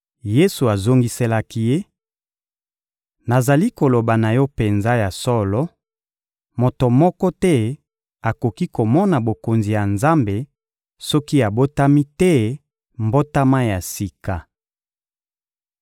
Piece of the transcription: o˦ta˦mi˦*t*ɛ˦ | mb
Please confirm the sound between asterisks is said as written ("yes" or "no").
yes